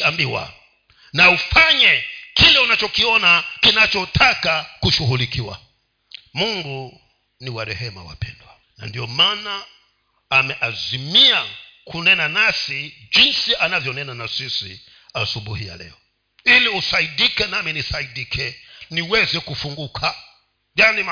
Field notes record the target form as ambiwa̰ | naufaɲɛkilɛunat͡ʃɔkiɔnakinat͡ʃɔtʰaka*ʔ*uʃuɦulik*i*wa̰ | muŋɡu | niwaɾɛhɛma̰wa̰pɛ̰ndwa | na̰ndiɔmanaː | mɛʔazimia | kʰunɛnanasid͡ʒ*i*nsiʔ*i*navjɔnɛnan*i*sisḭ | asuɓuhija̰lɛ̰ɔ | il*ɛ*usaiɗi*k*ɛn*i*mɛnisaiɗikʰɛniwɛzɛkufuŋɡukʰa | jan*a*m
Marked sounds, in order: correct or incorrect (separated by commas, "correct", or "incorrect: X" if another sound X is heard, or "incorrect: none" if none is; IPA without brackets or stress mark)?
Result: incorrect: k, correct, correct, incorrect: a, incorrect: a, incorrect: i, correct, incorrect: a, incorrect: i